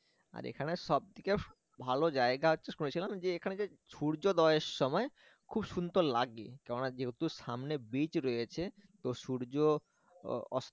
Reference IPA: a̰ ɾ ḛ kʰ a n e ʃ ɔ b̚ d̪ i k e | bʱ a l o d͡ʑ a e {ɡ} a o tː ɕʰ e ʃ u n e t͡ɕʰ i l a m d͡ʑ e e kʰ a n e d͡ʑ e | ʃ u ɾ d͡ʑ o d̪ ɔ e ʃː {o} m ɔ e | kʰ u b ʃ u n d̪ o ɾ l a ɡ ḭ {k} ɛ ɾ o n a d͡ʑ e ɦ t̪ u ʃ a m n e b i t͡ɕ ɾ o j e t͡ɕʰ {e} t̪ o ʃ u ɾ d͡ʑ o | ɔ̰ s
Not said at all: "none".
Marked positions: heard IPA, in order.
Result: ɡ, ɔ, k, e

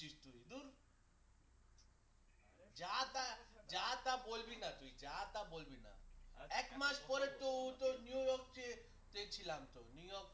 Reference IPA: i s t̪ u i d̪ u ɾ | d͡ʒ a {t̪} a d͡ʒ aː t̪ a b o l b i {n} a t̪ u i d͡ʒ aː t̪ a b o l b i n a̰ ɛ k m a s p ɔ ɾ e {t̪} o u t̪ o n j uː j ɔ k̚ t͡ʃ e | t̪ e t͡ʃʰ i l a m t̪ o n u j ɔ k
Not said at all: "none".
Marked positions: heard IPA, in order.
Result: t̪, n, t̪

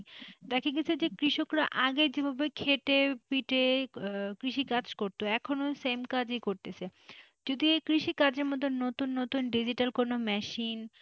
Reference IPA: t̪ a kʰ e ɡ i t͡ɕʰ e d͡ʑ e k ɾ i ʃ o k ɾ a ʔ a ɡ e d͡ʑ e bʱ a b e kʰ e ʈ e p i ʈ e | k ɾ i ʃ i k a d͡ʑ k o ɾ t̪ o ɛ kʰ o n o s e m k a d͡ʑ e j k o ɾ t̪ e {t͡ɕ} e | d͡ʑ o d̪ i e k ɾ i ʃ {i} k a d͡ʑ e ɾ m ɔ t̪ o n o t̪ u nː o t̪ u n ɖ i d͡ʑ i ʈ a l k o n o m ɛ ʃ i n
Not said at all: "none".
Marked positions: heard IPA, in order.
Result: t͡ɕʰ, i

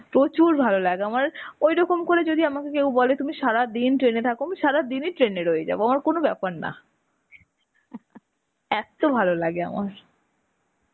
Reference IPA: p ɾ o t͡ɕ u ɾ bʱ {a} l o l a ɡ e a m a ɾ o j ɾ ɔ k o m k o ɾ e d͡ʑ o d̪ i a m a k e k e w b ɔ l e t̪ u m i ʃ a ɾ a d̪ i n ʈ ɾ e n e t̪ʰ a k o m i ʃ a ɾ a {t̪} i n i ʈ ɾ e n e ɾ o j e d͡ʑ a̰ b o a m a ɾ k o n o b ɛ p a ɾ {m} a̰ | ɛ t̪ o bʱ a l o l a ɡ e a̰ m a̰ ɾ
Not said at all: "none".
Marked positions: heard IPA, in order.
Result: a, d̪, n

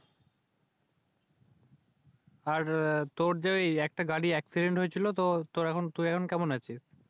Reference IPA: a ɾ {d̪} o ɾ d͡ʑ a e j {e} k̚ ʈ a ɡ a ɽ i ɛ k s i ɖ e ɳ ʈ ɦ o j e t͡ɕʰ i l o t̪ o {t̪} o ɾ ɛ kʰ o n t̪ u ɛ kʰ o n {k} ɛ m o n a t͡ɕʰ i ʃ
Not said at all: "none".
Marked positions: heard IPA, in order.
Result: t̪, ɛ, t̪, k

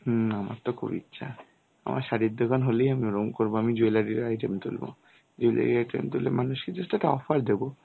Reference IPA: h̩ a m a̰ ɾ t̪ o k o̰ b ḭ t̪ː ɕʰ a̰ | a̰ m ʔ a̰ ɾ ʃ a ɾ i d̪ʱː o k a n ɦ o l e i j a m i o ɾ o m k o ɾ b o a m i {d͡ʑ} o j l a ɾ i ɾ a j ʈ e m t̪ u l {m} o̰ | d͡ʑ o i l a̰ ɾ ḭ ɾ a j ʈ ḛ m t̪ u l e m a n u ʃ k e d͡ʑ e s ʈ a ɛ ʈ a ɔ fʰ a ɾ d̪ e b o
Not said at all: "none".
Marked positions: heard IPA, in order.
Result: d͡ʑ, b

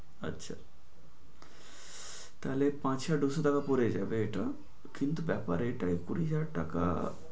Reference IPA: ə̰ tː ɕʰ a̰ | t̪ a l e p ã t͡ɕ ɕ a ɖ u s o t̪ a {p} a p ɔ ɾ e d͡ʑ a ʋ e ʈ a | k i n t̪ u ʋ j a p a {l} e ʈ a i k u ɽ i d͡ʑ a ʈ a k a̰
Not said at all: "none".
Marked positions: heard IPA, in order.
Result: k, ɾ

